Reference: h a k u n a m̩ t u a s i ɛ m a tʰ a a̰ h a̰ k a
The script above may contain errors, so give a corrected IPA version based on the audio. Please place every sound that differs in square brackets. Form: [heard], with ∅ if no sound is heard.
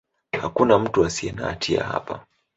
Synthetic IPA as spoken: h a k u n a m̩ t u a s i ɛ [n] a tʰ [i] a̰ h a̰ [p] a